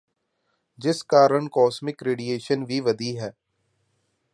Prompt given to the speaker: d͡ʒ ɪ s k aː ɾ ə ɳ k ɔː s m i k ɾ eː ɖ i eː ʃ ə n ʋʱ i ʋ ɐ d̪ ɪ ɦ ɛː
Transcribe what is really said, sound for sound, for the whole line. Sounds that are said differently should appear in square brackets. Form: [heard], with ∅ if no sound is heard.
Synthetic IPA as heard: d͡ʒ ɪ s k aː ɾ ə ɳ k ɔː s m [ɪ] k ɾ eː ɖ i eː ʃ ə n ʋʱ i ʋ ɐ d̪ [i] ɦ ɛː